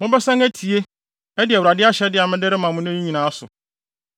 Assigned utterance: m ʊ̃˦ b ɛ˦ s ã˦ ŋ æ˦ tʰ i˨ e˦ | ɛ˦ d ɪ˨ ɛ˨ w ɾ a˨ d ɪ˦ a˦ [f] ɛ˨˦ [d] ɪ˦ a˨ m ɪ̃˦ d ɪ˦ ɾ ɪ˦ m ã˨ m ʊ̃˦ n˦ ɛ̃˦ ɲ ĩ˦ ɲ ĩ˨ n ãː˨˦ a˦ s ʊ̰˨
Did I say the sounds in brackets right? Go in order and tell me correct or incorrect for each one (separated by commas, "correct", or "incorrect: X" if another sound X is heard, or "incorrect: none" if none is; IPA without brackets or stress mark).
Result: incorrect: ɕ, correct